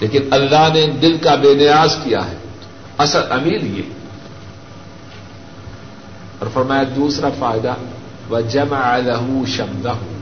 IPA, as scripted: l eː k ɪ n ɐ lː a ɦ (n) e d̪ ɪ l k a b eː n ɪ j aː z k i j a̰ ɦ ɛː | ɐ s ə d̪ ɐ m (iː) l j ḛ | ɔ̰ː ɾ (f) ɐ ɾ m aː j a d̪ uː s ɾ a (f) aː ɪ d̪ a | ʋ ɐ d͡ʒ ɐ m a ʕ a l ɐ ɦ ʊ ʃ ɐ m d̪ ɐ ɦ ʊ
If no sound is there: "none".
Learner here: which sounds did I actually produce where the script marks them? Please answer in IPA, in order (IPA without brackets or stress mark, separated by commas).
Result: n, iː, f, f